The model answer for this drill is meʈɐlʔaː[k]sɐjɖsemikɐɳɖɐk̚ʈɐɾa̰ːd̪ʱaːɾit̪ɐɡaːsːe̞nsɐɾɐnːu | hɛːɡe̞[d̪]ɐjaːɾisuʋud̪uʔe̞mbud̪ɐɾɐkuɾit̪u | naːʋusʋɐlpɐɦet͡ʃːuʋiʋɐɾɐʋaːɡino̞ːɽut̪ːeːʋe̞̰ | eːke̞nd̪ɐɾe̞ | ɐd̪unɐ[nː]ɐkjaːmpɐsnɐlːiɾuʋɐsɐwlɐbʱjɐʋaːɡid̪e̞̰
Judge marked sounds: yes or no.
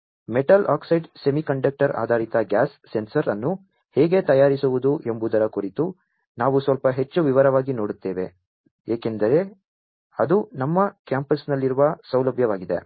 yes, no, no

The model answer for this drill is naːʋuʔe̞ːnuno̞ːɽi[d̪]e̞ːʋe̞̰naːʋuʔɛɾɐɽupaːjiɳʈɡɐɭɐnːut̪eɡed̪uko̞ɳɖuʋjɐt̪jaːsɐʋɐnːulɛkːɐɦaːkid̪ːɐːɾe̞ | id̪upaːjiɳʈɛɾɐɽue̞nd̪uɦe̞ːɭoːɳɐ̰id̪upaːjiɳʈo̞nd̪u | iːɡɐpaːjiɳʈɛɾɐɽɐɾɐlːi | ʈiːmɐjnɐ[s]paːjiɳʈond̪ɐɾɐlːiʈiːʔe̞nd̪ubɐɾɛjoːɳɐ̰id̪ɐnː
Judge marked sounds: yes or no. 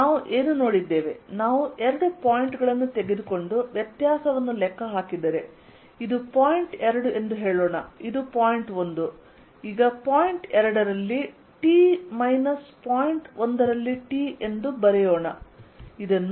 no, yes

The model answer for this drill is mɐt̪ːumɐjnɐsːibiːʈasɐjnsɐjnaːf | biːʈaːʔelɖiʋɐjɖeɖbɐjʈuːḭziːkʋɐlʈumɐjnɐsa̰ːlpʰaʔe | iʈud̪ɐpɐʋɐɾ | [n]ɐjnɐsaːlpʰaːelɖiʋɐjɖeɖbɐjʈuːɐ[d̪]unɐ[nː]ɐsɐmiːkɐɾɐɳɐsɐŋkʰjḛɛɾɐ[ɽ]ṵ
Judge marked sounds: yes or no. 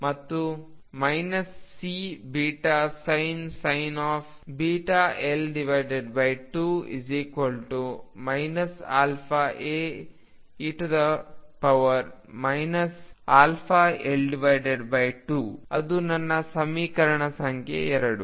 no, yes, yes, yes

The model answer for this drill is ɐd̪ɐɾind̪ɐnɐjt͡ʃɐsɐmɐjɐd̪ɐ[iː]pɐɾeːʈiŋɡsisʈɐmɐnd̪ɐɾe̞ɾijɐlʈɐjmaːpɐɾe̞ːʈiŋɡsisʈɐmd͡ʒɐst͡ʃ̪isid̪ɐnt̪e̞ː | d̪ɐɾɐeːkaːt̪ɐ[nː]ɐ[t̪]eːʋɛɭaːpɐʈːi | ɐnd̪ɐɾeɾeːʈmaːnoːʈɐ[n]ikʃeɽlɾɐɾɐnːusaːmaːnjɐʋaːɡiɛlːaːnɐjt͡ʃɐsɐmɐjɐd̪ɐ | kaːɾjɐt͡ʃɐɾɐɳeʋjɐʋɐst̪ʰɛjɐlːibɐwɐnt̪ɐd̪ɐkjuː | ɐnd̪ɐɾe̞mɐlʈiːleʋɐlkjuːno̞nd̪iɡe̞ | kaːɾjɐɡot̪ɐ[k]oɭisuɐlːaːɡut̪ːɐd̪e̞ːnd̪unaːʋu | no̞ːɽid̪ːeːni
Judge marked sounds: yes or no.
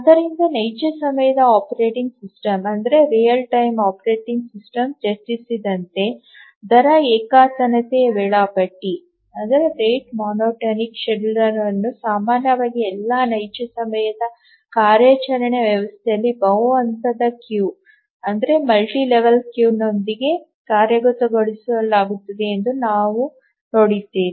no, no, yes, yes, no

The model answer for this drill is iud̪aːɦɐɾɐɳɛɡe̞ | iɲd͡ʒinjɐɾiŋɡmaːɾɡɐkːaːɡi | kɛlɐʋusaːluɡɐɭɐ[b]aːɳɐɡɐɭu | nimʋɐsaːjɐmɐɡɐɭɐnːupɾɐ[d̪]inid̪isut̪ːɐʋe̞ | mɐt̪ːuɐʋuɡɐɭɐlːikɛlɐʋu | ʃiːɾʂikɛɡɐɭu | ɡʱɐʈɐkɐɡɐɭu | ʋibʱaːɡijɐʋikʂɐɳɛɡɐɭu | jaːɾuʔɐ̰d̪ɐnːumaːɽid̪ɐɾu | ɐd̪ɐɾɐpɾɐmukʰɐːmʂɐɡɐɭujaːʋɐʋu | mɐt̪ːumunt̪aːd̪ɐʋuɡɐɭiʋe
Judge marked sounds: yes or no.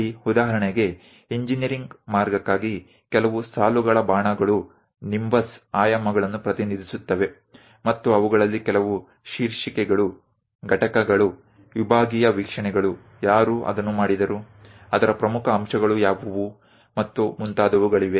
yes, no

